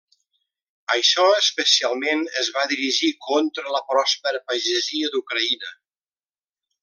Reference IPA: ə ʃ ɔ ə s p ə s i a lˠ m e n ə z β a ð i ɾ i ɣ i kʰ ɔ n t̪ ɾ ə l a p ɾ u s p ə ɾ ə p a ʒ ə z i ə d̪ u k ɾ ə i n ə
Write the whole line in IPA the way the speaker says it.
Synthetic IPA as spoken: ə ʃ ɔ ə s p ə s i a lˠ m e n ə z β a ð i ɾ i ʒ i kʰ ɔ n t̪ ɾ ə l ə p ɾ ɔ s p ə ɾ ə p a ʒ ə z i ə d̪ u k ɾ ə i n ə